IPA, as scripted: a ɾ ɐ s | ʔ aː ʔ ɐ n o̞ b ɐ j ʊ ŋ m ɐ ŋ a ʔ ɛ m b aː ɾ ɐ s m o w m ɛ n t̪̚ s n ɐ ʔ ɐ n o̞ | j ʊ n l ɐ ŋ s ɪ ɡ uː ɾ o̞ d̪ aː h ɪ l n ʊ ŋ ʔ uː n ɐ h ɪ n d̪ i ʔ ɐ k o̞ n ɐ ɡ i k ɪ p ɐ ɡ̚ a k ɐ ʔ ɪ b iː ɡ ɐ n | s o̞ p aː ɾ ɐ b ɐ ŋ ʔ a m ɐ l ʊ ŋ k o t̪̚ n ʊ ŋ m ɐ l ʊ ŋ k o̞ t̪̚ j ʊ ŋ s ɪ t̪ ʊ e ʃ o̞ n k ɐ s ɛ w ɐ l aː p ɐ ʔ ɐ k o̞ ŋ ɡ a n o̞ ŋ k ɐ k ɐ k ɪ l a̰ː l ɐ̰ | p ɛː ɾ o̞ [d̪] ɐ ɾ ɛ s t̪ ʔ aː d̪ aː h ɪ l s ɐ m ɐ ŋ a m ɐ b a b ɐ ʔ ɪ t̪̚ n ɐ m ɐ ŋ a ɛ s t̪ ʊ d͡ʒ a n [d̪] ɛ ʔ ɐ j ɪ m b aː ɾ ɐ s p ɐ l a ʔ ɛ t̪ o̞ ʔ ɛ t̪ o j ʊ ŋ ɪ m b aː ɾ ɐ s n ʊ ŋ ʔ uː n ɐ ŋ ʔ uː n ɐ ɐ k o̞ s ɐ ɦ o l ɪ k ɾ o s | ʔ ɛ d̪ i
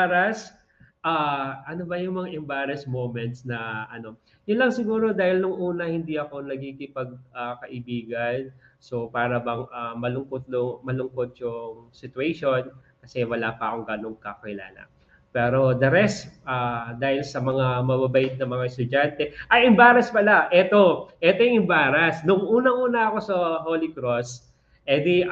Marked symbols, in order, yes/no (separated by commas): yes, no